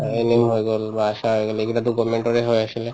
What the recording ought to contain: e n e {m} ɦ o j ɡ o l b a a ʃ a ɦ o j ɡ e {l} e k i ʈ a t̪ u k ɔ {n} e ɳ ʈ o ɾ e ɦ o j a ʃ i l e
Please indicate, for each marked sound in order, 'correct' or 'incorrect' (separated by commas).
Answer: correct, correct, incorrect